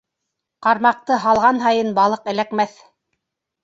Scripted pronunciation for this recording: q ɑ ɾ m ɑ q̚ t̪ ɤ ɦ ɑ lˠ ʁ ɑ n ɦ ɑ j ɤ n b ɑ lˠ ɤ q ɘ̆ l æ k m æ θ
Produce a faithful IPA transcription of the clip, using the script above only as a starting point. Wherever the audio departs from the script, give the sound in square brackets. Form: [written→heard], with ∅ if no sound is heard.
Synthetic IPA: q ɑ ɾ m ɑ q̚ t̪ ɤ ɦ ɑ lˠ ʁ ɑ n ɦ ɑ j ɤ n b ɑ lˠ ɤ q ɘ̆ l æ k m æ θ